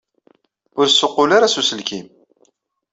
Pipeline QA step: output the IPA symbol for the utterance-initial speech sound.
ʊ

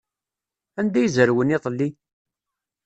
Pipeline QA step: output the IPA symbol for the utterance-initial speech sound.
æ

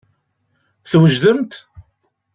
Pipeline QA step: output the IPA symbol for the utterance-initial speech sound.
θ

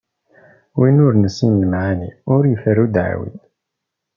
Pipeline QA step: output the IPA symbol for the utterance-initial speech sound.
w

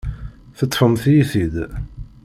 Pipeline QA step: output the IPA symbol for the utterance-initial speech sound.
θ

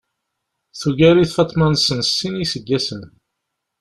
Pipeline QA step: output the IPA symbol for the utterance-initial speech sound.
θ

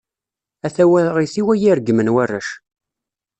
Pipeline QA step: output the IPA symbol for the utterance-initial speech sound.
æ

